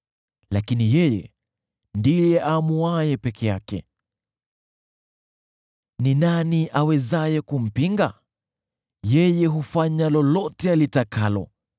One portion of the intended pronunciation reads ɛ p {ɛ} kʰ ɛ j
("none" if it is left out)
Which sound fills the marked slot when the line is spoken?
ɛ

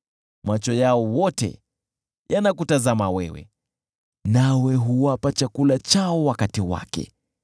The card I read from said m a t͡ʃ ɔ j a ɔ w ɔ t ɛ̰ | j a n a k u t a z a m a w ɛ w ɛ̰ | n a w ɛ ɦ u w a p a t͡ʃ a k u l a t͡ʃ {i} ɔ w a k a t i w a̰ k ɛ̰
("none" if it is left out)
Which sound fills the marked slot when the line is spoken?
a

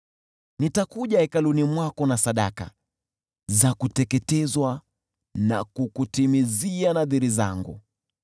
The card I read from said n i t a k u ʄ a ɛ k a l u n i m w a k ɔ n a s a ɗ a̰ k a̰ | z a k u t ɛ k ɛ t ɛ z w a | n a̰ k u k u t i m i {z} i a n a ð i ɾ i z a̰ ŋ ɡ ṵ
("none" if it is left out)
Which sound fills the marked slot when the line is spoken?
z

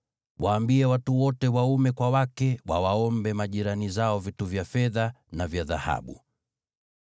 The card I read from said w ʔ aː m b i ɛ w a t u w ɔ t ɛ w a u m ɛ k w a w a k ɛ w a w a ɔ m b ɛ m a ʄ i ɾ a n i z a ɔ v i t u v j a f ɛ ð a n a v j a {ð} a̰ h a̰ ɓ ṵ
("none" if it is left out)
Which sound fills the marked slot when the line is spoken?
ð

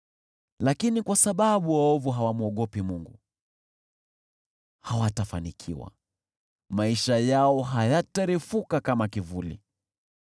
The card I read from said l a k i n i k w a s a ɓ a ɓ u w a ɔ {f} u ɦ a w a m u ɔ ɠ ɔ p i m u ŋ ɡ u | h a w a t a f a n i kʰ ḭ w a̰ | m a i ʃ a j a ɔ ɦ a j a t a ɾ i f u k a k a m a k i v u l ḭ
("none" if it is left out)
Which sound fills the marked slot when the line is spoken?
v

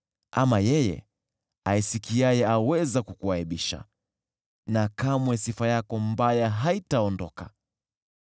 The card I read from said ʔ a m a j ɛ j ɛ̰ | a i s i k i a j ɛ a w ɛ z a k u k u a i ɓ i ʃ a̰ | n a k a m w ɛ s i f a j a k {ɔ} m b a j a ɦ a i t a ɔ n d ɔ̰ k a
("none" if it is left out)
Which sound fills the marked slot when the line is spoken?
ɔ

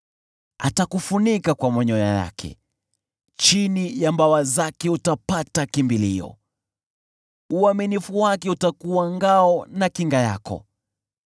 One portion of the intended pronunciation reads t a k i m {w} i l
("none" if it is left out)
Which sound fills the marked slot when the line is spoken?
b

